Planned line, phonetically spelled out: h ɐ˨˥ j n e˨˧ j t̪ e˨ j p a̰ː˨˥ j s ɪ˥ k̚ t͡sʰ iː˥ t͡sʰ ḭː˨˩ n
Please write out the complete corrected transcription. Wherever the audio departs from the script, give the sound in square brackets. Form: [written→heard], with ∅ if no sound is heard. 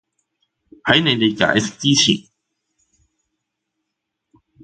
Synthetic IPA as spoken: h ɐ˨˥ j n e˨˧ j t̪ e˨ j [p→k] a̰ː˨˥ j s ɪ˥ k̚ [t͡sʰ→t͡s] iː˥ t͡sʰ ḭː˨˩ n